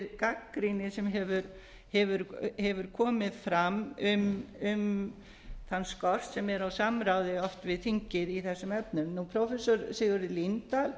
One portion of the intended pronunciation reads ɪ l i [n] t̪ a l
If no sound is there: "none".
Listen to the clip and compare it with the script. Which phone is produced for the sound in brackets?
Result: n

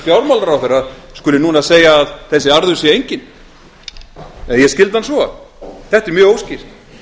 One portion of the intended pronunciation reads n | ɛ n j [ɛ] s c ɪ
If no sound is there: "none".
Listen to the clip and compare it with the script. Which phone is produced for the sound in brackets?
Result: ɛ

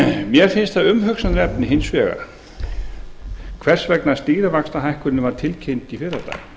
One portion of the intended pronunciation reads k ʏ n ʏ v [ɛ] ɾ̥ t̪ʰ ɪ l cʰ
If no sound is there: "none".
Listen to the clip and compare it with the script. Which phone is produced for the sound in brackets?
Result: a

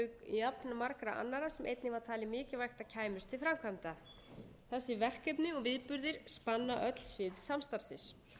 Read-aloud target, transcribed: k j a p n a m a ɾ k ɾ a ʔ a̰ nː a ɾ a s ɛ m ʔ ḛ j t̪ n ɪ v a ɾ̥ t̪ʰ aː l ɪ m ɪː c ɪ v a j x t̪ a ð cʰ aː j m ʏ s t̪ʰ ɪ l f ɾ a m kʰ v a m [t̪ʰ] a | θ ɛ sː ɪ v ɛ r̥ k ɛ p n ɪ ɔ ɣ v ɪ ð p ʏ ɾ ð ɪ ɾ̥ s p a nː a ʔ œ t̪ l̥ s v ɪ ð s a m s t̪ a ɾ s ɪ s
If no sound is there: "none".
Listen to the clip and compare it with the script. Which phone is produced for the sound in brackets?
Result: t̪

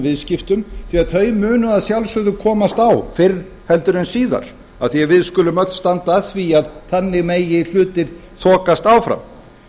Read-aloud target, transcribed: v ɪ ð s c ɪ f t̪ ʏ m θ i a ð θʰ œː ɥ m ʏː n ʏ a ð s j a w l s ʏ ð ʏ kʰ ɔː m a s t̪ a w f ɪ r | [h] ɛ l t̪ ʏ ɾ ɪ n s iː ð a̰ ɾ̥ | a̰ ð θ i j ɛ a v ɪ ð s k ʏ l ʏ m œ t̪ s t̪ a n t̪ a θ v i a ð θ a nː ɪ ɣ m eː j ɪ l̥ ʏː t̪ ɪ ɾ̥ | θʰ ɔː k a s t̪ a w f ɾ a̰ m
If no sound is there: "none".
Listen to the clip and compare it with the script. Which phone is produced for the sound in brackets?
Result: h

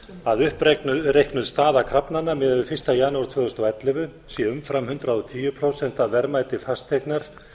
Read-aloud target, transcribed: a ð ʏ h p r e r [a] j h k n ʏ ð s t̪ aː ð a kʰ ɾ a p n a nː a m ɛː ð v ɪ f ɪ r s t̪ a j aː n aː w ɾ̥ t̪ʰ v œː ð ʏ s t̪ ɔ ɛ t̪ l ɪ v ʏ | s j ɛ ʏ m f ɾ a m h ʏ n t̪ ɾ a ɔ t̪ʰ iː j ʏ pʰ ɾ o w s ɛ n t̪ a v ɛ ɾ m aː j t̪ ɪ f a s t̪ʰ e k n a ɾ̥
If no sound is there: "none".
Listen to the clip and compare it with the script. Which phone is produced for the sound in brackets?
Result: e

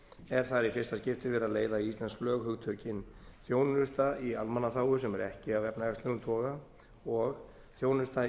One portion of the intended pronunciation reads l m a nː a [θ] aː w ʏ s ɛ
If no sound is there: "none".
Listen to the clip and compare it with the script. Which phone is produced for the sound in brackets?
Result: θ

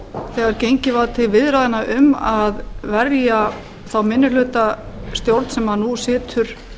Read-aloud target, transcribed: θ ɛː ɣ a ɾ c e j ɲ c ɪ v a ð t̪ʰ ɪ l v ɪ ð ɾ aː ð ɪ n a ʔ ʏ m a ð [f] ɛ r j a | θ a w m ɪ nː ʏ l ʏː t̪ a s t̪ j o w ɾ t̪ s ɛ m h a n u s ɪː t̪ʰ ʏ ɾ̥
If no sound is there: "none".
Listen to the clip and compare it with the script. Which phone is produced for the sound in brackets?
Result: v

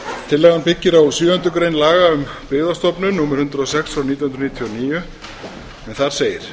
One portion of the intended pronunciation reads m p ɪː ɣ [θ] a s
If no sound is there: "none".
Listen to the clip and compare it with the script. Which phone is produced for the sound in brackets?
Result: ð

